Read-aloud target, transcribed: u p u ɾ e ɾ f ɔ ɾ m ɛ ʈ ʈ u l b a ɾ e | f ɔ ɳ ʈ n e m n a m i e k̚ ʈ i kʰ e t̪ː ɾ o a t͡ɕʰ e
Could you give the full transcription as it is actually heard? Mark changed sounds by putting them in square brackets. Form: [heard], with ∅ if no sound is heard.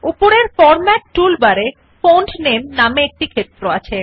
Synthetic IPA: u p [o] ɾ e ɾ f ɔ ɾ m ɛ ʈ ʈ u l b a ɾ e | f [o] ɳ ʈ n e m n a m [e] e k̚ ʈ i kʰ e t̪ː ɾ o a t͡ɕʰ e